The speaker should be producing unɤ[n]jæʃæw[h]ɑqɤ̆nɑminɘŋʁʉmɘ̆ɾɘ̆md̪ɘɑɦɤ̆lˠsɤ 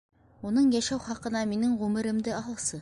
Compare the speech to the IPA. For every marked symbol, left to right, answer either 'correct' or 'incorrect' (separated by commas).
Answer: incorrect, incorrect